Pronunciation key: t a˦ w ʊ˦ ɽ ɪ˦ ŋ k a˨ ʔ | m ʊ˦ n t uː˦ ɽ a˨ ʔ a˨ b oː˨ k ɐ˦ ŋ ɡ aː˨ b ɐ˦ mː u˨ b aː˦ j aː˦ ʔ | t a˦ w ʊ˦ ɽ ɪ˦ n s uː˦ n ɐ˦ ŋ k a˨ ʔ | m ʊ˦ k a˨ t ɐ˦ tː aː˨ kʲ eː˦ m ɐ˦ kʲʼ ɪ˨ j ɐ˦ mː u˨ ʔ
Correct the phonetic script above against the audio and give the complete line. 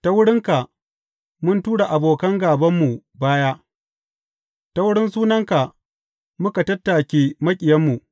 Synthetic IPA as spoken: t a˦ w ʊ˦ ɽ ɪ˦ ŋ k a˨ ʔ | m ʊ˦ n t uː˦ ɽ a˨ ʔ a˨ b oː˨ k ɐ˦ ŋ ɡ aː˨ b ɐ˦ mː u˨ b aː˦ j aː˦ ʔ | t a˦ w ʊ˦ ɽ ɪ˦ n s uː˦ n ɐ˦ ŋ k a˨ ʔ | m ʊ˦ k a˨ t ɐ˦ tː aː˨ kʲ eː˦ m ɐ˦ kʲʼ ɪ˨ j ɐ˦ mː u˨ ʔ